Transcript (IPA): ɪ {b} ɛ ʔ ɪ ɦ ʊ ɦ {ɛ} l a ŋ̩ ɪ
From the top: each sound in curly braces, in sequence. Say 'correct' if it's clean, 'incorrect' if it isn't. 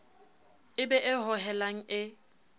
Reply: correct, correct

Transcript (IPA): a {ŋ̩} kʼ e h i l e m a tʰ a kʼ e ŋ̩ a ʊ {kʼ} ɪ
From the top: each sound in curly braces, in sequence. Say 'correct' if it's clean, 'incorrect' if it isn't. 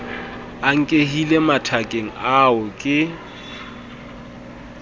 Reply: correct, correct

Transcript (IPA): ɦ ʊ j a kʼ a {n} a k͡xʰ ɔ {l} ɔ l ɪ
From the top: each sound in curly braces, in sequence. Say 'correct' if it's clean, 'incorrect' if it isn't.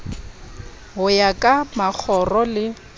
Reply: incorrect: m, incorrect: r

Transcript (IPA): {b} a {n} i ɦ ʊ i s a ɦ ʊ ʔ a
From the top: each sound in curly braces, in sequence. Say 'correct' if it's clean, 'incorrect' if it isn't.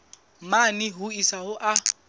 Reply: incorrect: m, correct

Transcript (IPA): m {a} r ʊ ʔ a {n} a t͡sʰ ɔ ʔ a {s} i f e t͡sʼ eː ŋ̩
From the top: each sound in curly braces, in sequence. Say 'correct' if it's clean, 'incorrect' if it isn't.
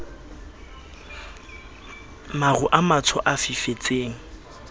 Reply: correct, incorrect: m, incorrect: f

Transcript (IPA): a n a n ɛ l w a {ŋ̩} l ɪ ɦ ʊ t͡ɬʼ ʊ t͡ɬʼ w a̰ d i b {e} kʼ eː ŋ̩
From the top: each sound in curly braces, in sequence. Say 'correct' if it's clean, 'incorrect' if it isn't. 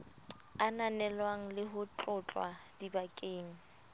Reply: correct, incorrect: a

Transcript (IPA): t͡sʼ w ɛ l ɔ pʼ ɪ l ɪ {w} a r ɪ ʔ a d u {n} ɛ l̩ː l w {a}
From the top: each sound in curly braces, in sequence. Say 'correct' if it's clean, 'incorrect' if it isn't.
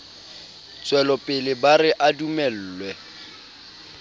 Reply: incorrect: b, incorrect: m, incorrect: ɛ

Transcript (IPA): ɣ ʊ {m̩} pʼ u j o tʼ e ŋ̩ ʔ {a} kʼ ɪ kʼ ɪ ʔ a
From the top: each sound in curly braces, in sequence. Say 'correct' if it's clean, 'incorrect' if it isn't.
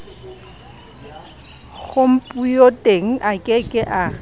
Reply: correct, correct

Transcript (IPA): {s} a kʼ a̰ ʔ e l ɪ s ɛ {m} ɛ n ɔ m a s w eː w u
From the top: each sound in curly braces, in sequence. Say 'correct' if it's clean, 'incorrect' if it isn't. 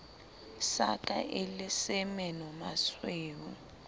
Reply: correct, correct

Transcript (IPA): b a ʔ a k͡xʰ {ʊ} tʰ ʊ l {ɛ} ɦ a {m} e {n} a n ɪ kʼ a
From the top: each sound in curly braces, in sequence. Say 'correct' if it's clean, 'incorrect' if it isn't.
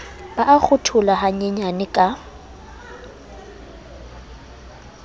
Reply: correct, incorrect: a, incorrect: ɲ, incorrect: ɲ

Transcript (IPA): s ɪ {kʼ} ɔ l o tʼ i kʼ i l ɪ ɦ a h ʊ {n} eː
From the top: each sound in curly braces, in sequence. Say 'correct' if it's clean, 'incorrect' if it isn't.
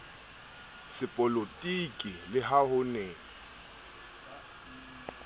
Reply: incorrect: pʼ, correct

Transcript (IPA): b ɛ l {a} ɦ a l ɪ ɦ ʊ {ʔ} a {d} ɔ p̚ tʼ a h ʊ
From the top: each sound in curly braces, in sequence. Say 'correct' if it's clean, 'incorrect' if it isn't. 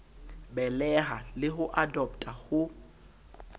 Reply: incorrect: ɛ, correct, correct

